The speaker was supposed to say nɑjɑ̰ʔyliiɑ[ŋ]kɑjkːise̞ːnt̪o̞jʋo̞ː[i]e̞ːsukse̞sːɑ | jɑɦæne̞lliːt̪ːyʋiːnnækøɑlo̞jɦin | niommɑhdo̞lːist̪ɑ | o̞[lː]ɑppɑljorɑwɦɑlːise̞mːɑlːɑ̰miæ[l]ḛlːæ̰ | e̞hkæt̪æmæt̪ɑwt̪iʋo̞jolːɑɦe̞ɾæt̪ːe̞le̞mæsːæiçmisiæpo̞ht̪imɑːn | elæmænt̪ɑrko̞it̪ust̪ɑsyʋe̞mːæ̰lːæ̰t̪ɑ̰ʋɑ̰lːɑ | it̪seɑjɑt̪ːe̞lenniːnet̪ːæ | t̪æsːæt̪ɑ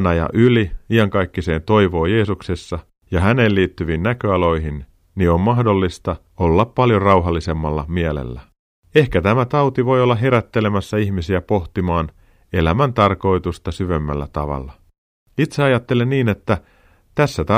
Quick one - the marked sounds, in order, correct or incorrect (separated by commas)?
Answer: correct, incorrect, correct, correct